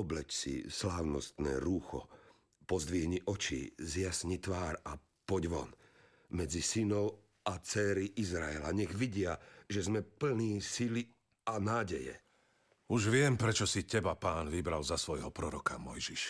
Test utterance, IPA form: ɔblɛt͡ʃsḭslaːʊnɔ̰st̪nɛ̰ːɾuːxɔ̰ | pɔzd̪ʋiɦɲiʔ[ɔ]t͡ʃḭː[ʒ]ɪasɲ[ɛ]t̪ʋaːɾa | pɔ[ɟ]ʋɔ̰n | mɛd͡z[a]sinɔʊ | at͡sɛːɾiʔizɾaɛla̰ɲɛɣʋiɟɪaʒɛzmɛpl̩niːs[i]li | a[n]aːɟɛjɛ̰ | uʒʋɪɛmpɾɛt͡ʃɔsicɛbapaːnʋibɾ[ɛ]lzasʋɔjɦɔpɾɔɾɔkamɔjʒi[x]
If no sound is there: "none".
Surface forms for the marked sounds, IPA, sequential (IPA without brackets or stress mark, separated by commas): ɔ, z, i, ɟ, i, i, n, a, ʃ